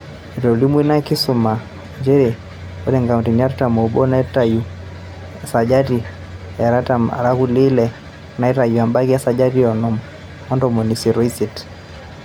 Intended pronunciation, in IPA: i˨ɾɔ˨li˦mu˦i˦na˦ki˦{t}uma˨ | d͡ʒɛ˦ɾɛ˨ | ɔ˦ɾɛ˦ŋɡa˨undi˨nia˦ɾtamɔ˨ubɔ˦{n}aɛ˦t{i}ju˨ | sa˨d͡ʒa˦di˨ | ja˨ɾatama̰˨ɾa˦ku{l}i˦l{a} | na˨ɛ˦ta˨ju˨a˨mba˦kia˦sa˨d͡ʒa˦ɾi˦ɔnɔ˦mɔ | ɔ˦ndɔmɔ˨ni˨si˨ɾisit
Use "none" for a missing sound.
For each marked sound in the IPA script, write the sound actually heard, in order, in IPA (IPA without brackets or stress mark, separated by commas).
s, n, a, l, ɛ